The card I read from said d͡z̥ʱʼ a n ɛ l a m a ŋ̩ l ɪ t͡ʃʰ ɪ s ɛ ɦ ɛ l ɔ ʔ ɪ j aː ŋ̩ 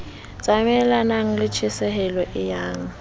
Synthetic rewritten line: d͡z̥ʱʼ a m ɛ l a n a ŋ̩ l ɪ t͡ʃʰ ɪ s ɛ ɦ ɛ l ɔ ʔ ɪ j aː ŋ̩

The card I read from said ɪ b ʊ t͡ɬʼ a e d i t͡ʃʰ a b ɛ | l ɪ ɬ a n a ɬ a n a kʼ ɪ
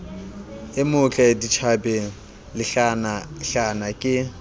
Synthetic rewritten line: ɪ m ʊ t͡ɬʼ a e d i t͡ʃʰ a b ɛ | l ɪ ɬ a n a ɬ a n a kʼ ɪ

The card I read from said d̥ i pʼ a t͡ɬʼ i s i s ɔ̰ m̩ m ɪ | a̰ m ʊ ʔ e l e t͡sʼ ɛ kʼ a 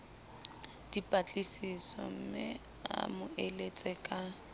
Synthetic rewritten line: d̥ i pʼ a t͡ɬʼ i s i s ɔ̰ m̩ m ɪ | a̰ m ʊ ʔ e l e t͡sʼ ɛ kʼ a

